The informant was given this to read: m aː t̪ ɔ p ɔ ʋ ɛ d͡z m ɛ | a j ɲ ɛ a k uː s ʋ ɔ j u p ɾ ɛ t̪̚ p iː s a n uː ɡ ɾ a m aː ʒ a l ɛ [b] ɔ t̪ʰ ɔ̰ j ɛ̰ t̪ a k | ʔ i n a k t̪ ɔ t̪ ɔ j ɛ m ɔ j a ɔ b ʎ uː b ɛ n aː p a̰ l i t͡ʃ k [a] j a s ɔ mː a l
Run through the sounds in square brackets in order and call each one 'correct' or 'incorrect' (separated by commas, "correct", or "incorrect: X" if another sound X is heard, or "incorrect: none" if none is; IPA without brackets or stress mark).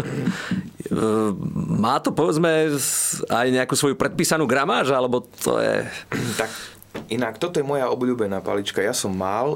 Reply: correct, correct